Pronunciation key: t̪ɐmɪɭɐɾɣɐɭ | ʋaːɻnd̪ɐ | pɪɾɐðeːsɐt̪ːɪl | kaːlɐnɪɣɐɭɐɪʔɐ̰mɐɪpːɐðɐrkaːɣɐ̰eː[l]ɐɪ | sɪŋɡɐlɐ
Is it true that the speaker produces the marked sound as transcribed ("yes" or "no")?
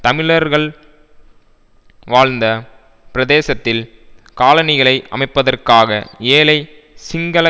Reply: yes